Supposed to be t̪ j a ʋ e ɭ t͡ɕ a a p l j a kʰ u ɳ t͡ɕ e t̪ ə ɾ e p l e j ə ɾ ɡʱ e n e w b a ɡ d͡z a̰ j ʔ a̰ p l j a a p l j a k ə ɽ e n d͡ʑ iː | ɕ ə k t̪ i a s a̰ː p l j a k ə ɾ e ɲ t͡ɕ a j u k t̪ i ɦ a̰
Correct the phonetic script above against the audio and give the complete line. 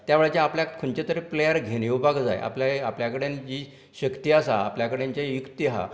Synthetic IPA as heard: t̪ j a ʋ e ɭ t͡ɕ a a p l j a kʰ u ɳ t͡ɕ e t̪ ə ɾ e p l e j ə ɾ ɡʱ e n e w b a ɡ d͡z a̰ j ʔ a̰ p l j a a p l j a k ə ɽ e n d͡ʑ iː | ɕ ə k t̪ i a s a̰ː p l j a k ə ɽ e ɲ t͡ɕ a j u k t̪ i ɦ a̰

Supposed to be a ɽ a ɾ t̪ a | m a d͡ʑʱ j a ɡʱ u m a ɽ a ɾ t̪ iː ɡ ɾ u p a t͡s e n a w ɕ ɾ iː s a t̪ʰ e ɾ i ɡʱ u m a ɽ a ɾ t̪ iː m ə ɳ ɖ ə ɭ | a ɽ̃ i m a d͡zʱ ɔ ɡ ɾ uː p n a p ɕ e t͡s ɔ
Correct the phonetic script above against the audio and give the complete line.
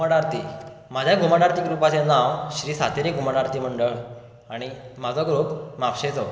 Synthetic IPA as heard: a ɽ a ɾ t̪ i | m a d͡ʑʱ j a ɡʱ u m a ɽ a ɾ t̪ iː ɡ ɾ u p a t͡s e n a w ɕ ɾ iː s a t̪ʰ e ɾ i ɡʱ u m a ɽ a ɾ t̪ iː m ə ɳ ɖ ə ɭ | a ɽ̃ i m a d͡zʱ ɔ ɡ ɾ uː p m a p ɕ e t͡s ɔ

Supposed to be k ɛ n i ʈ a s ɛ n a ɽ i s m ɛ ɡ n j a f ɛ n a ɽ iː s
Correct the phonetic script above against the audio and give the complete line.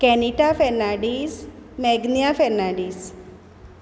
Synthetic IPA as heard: k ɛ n i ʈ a f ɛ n a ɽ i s m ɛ ɡ n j a f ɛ n a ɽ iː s

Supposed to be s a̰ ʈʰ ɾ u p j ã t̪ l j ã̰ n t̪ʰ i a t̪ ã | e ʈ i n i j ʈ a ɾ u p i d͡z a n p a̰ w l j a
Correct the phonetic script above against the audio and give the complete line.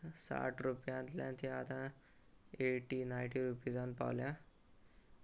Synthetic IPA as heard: s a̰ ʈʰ ɾ u p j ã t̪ l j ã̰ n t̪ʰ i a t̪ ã | e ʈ i n a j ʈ i ɾ u p i d͡z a n p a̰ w l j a

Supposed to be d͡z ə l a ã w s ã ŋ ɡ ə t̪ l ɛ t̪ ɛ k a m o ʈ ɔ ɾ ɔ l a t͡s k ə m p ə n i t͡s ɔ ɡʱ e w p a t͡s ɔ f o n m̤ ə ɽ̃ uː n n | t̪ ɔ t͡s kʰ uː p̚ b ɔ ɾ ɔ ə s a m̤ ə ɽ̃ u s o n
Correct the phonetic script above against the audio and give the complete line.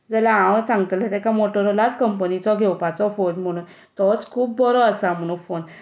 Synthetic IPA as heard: d͡z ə l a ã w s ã ŋ ɡ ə t̪ l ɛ t̪ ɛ k a m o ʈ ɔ ɾ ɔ l a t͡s k ə m p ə n i t͡s ɔ ɡʱ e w p a t͡s ɔ f o n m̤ ə ɽ̃ uː n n | t̪ ɔ t͡s kʰ uː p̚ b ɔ ɾ ɔ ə s a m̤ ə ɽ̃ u f o n

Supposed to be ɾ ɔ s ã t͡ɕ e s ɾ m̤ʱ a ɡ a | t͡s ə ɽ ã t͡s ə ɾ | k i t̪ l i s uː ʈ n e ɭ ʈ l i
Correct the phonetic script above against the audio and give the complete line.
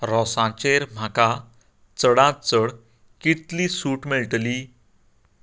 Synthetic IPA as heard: ɾ ɔ s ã t͡ɕ e ɾ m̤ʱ a k a | t͡s ə ɽ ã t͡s ə ɽ | k i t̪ l i s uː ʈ m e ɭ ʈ l i

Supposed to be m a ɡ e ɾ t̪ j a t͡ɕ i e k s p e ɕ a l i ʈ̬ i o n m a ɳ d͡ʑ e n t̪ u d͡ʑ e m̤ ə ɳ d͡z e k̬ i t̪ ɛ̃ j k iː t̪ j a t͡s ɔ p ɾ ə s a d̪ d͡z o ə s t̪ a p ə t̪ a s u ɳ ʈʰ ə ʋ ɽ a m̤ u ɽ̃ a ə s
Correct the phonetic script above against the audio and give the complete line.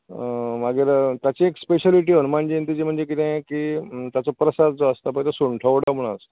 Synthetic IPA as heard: m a ɡ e ɾ t̪ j a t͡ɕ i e k s p e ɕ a l i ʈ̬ i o n m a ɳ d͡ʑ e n t̪ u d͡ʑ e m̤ ə ɳ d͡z e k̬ i t̪ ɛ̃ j k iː t̪ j a t͡s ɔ p ɾ ə s a d̪ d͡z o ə s t̪ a p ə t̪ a s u ɳ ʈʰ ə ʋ ɽ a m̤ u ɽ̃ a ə s

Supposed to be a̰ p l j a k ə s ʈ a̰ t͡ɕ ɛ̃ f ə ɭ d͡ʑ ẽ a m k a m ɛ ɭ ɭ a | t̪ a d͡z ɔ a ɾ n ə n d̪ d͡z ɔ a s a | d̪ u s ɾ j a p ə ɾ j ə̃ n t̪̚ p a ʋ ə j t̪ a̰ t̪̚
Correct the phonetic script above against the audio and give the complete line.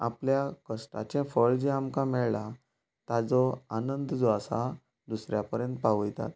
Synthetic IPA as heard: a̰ p l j a k ə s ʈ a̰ t͡ɕ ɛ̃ f ə ɭ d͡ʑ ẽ a m k a m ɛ ɭ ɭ a | t̪ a d͡z ɔ a n ə n d̪ d͡z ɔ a s a | d̪ u s ɾ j a p ə ɾ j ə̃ n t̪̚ p a ʋ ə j t̪ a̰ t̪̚

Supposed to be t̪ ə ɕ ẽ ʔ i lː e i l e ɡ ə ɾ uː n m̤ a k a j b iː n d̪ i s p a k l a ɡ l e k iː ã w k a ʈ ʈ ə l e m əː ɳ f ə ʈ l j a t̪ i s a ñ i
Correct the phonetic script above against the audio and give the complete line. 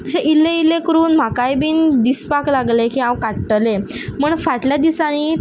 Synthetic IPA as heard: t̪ ə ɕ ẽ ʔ i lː e i l e k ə ɾ uː n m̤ a k a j b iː n d̪ i s p a k l a ɡ l e k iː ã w k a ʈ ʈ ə l e m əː ɳ f a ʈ l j a d̪ i s a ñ i

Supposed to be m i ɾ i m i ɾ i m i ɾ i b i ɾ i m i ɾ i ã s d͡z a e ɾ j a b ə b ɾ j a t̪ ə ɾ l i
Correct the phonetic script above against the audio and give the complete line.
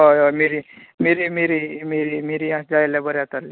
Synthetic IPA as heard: m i ɾ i m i ɾ i m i ɾ i m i ɾ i m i ɾ i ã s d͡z a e l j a b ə ɾ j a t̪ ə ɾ l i

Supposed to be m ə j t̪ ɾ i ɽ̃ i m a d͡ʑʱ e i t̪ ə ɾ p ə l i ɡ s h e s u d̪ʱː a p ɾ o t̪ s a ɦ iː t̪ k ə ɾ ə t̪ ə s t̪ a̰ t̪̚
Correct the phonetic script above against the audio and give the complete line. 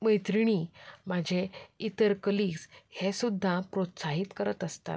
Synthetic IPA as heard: m ə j t̪ ɾ i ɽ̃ i m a d͡ʑʱ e i t̪ ə ɾ k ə l i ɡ s h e s u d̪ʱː a p ɾ o t̪ s a ɦ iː t̪ k ə ɾ ə t̪ ə s t̪ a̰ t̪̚

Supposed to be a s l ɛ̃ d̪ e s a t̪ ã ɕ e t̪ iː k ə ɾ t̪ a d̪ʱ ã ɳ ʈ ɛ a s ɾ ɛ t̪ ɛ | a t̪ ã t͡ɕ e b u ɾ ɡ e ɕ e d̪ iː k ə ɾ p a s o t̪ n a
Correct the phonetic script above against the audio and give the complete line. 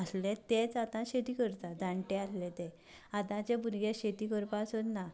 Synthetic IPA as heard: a s l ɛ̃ t̪ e t͡s a t̪ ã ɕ e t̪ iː k ə ɾ t̪ a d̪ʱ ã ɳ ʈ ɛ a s l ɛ t̪ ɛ | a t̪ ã t͡ɕ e b u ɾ ɡ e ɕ e t̪ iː k ə ɾ p a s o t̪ n a

